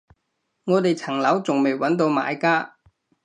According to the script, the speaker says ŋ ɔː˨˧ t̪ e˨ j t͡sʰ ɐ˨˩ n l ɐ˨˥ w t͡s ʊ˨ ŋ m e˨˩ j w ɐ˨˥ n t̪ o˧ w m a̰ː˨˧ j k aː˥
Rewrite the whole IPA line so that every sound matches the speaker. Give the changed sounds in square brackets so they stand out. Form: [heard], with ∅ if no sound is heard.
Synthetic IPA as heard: ŋ ɔː˨˧ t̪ e˨ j t͡sʰ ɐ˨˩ [ŋ] l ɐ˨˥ w t͡s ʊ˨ ŋ m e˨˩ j w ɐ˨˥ n t̪ o˧ w m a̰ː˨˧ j k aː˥